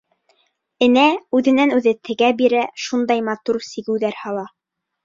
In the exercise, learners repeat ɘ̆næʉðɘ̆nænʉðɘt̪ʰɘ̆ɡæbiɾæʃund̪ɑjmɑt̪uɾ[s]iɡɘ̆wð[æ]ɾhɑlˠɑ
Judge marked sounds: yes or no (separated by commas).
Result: yes, yes